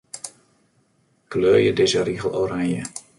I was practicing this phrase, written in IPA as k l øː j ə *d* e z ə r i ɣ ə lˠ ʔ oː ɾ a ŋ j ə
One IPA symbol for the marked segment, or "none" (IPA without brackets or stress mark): d